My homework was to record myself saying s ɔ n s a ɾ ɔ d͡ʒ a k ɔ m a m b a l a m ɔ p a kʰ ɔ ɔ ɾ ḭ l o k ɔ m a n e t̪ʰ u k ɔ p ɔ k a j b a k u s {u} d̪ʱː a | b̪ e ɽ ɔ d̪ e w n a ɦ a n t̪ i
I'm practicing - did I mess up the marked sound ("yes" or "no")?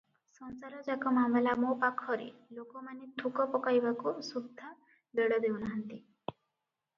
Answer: no